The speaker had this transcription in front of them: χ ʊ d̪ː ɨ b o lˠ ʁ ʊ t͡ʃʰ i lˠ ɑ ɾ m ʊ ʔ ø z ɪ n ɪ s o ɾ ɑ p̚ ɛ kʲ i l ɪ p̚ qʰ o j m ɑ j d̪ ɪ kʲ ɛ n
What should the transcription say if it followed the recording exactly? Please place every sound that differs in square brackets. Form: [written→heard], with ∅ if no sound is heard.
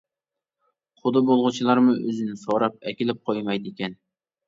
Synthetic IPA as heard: χ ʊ [d̪ː→d̪] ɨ b o lˠ ʁ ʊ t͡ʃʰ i lˠ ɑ ɾ m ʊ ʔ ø z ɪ n ɪ s o ɾ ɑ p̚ ɛ kʲ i l ɪ p̚ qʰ o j m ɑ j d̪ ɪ kʲ ɛ n